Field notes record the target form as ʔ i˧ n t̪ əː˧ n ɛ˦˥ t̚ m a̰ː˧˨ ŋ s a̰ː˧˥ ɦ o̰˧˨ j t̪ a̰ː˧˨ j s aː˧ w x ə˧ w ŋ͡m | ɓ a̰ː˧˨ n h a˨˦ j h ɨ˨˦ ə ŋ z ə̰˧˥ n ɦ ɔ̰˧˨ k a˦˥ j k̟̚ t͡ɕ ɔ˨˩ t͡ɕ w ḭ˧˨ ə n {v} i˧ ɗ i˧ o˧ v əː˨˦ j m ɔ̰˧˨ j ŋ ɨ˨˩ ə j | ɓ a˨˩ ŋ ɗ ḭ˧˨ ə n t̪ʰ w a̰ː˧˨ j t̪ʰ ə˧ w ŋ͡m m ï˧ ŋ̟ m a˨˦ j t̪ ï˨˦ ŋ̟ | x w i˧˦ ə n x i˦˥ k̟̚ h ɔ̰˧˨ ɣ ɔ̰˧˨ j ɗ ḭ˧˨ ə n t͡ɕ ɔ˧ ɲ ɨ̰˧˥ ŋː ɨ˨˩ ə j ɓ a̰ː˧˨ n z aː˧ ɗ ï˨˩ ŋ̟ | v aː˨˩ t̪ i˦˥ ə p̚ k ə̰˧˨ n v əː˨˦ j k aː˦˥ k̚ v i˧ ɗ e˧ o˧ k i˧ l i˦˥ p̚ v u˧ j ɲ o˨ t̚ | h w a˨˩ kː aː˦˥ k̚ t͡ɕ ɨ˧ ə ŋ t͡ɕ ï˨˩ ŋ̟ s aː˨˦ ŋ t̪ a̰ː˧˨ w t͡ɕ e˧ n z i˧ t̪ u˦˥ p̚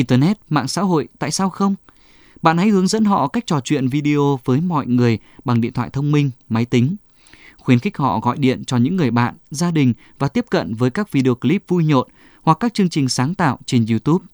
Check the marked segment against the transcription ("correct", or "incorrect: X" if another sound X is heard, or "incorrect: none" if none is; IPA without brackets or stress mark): correct